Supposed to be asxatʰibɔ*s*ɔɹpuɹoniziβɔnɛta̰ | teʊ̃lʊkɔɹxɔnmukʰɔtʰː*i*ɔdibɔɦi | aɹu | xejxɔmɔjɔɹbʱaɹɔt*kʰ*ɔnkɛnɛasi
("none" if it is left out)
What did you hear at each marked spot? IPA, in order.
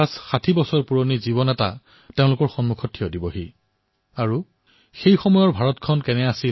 s, i, kʰ

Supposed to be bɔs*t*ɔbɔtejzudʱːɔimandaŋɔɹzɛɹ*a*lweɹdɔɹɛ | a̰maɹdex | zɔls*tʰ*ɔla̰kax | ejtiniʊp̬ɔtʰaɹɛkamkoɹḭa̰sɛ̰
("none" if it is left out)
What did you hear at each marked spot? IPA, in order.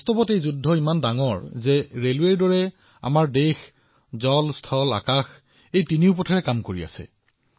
t, e, tʰ

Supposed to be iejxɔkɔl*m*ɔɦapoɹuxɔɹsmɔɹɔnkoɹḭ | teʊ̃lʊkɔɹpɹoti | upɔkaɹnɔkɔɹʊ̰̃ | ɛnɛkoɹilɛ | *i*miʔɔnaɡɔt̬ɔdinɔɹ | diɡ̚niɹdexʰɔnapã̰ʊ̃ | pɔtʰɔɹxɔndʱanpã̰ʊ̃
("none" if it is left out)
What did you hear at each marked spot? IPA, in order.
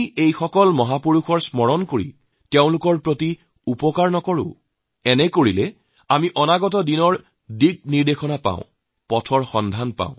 m, a

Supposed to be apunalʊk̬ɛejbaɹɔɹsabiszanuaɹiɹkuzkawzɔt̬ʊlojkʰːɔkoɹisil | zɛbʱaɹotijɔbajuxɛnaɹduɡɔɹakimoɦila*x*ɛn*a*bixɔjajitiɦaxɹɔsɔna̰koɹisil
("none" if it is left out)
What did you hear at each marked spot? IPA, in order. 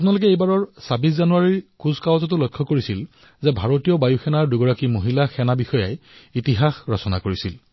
x, a

